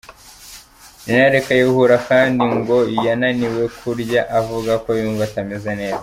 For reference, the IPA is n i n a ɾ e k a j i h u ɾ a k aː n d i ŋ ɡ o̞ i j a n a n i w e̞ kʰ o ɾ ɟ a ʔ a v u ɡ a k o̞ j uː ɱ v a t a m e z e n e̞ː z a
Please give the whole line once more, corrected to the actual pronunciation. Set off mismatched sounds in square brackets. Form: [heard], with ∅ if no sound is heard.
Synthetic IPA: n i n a ɾ e k a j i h u ɾ a k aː n d i ŋ ɡ o̞ i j a n a n i w e̞ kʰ [u] ɾ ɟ a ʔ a v u ɡ a k o̞ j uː ɱ v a t a m e z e n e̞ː z a